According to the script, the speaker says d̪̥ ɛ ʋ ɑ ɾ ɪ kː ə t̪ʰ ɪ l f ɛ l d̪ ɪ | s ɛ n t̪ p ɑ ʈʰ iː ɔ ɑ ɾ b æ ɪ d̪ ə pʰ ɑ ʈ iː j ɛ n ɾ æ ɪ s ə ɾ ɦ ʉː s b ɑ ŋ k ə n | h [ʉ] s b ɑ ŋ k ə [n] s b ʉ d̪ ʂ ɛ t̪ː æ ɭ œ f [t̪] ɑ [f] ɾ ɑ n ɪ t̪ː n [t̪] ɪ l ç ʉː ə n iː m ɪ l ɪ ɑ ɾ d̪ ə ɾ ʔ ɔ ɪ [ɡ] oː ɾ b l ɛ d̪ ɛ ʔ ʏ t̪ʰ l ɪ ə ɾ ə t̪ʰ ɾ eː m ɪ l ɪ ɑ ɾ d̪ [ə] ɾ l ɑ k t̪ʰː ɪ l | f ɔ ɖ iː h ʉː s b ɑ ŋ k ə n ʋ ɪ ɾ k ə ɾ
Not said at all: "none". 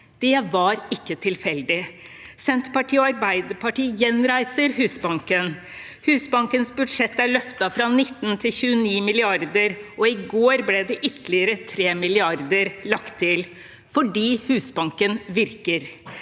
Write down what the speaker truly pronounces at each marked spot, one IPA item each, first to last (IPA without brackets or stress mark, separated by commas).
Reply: ʉː, n, t̪, f, t̪ʰ, ɡ, ə